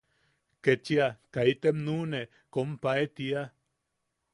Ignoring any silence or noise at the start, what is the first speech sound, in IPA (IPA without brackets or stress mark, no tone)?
k